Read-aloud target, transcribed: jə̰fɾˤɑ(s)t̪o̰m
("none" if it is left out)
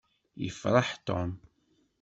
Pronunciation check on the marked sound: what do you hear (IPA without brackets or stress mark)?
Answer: ħ